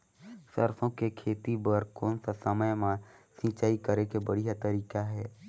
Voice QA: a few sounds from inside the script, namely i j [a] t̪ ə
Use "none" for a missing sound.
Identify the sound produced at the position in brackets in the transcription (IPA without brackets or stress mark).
a